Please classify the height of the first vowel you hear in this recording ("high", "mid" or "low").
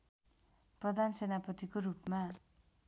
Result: mid